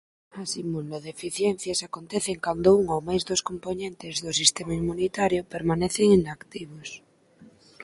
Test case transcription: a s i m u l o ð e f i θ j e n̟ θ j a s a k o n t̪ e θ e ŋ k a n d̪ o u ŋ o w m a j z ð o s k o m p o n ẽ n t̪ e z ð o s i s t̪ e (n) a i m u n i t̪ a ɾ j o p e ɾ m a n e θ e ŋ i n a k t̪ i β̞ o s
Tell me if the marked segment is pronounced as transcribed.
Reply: no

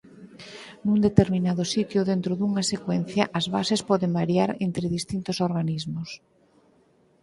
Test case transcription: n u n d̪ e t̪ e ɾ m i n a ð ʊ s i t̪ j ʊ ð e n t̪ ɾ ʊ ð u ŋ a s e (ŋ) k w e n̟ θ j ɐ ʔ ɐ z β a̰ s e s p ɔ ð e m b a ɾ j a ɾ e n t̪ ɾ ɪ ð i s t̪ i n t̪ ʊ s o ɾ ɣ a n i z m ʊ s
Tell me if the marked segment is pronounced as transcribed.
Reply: no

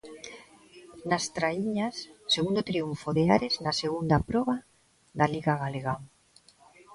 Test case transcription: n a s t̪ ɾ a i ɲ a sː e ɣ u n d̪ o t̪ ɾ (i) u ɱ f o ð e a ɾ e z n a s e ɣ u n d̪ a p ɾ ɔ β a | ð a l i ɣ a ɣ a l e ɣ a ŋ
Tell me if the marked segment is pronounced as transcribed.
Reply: yes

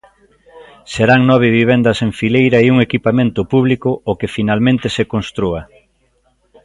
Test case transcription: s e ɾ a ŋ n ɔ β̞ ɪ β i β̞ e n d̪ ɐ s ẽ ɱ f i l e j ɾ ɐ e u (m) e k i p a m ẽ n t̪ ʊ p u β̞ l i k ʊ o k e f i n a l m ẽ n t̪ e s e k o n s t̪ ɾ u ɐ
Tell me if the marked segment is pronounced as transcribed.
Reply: no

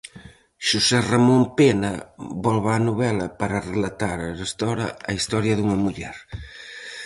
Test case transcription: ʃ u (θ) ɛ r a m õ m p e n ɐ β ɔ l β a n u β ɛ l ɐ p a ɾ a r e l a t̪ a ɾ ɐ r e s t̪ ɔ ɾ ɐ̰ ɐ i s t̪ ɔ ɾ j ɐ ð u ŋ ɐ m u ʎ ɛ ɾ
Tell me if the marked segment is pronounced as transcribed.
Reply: no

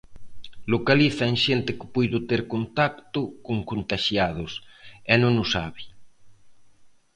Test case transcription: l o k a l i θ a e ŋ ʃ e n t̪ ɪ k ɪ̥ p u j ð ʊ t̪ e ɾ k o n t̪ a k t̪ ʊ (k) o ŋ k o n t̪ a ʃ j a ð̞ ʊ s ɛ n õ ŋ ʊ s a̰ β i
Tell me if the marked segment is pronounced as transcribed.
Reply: yes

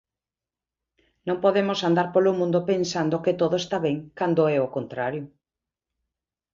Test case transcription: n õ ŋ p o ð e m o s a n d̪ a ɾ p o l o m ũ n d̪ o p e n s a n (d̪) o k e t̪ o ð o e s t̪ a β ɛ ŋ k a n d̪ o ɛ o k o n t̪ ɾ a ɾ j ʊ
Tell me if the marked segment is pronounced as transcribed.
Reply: yes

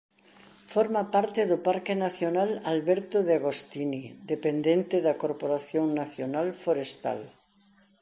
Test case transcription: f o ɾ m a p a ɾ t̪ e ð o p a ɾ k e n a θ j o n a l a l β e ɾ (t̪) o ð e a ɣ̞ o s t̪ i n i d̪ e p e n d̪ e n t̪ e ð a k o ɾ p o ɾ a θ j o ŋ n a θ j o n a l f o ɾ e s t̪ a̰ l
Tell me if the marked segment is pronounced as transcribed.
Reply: yes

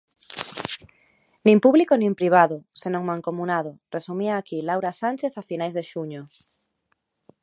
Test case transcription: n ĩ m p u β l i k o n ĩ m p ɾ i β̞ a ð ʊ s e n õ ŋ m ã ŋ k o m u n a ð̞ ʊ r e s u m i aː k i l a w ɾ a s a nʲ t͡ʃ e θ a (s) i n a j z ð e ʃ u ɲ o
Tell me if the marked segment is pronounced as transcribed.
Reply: no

